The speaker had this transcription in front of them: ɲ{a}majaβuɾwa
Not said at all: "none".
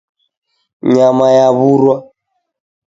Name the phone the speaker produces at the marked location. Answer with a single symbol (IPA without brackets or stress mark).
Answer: a